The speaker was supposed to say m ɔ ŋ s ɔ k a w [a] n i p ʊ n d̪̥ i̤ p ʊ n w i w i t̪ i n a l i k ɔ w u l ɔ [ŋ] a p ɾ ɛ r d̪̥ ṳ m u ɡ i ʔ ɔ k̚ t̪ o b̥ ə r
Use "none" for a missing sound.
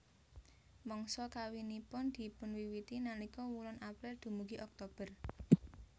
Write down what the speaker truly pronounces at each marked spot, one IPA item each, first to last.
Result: i, n

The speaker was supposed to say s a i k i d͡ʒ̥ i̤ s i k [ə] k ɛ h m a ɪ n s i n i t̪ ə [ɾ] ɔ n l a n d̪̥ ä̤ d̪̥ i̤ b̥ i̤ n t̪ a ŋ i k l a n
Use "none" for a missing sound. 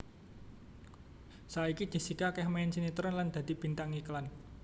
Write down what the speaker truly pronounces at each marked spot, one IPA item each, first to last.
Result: a, ɾ

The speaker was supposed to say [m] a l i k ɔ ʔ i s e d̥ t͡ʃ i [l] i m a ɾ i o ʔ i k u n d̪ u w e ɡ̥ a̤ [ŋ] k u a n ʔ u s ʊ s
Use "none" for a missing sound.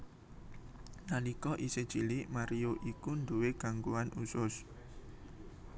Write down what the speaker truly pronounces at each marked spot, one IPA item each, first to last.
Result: n, l, ŋ

